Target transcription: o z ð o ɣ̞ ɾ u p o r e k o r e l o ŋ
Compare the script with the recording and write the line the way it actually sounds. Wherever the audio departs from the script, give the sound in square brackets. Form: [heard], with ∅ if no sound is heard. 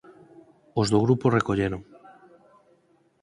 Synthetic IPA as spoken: o z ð o ɣ̞ ɾ u p o r e k o [ʎ] e [ɾ] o ŋ